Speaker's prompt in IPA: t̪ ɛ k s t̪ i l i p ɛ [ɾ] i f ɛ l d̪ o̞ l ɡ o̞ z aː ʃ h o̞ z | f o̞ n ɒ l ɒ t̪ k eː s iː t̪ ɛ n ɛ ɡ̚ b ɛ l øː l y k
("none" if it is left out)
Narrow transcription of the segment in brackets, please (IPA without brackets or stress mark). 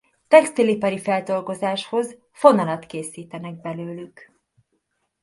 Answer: ɾ